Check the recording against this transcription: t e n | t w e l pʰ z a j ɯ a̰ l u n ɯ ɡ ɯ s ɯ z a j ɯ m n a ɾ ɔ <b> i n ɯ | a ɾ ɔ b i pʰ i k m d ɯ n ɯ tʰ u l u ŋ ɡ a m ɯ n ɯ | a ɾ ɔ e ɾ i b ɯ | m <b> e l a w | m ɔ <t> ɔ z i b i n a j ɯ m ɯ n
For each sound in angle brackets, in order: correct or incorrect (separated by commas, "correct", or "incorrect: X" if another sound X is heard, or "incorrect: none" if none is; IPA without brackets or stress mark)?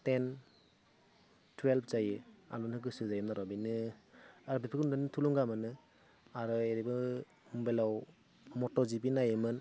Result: correct, correct, correct